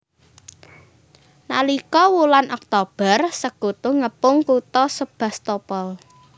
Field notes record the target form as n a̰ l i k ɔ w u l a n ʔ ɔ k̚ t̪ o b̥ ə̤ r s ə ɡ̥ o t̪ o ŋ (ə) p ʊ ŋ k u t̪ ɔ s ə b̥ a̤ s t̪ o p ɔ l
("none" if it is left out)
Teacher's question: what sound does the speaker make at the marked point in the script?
ə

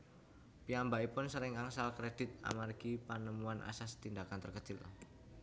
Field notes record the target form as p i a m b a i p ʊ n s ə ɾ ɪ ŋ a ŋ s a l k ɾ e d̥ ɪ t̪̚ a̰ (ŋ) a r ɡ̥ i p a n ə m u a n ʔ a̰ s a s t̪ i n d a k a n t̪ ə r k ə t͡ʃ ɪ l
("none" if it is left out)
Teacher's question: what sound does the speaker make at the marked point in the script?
m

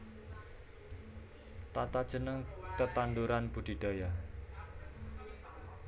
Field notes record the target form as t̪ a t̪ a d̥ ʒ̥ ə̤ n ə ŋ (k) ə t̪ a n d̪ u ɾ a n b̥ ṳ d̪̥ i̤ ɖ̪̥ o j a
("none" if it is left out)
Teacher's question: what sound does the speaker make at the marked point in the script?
k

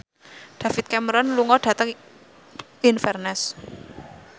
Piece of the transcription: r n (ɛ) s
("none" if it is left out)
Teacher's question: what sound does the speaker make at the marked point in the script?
ɛ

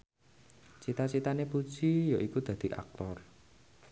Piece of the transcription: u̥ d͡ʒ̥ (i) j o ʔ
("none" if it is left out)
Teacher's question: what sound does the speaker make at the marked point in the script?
i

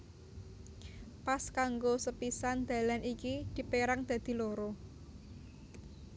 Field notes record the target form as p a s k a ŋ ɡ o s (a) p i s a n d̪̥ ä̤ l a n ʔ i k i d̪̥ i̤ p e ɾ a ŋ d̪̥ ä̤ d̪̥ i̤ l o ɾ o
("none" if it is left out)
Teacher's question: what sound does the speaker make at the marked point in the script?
ə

